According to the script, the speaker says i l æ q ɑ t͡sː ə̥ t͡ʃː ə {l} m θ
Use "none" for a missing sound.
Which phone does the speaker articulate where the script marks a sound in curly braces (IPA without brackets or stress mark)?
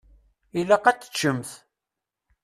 none